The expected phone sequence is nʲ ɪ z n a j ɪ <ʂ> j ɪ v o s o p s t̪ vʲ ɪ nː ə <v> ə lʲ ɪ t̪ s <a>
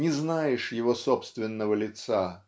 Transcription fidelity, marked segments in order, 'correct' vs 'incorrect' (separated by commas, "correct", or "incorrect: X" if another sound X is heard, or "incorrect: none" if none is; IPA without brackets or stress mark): correct, correct, correct